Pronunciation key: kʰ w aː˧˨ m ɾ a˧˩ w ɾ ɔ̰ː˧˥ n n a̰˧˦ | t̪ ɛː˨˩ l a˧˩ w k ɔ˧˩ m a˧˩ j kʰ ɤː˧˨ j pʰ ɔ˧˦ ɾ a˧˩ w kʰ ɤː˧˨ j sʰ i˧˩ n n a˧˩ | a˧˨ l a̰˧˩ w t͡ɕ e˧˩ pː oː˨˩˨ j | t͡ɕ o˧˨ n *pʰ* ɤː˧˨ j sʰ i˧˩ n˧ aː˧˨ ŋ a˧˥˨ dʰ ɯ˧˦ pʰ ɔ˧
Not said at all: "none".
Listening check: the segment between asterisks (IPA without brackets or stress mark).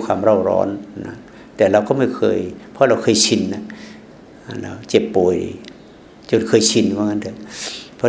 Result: kʰ